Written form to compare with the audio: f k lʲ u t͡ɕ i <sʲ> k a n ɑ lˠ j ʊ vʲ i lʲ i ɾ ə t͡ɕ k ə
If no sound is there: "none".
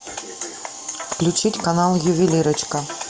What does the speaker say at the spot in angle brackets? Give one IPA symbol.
tʲ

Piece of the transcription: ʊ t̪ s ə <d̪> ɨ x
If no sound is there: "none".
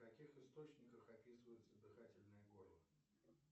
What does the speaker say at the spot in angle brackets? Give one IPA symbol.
d̪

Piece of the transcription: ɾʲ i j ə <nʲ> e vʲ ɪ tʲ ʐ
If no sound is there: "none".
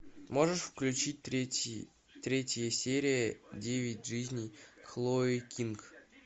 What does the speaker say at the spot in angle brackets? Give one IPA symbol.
dʲ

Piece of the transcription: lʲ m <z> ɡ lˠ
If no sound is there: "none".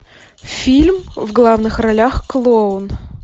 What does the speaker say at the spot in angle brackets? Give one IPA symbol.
v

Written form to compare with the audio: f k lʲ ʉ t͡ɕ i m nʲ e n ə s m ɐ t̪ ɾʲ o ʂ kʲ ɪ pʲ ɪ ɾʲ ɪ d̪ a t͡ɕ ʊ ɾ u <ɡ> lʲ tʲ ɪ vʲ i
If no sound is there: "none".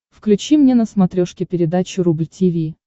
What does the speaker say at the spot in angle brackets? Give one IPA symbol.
b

